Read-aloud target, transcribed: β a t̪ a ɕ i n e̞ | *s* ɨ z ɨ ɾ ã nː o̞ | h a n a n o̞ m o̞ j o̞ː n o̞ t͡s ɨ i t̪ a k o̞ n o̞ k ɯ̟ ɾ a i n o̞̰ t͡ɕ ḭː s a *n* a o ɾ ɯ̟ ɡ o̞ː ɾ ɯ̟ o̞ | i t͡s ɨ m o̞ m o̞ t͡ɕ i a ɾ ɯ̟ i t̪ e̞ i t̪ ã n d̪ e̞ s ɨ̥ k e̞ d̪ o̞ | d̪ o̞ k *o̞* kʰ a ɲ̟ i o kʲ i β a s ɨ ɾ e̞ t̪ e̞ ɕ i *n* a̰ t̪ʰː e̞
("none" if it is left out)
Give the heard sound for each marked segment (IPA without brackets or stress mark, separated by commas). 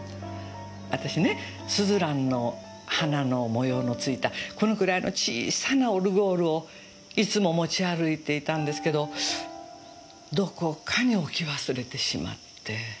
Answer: s, n, o̞, m